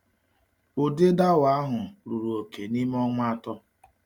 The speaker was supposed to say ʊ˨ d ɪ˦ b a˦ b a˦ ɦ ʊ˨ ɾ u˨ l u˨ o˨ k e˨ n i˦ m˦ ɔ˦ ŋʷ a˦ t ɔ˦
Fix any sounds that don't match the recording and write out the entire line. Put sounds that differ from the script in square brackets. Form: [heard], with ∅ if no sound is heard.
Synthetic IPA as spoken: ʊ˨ d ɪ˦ [d] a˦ [w] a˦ ɦ ʊ˨ ɾ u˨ [ɾ] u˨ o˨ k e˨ n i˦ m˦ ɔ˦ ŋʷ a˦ t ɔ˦

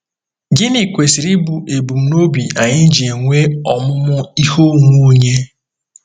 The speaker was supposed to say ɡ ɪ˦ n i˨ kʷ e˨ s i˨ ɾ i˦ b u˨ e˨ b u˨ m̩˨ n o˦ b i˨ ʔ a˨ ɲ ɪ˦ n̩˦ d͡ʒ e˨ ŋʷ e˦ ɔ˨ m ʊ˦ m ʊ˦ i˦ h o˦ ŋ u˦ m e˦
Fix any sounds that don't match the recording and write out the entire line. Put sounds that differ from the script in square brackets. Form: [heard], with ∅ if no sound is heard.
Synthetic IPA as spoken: ɡ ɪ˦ n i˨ kʷ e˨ s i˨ ɾ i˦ b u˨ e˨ b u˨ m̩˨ n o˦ b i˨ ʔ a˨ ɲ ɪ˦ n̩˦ d͡ʒ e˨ ŋʷ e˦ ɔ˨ m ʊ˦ m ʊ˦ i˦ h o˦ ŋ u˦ [ɲ] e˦

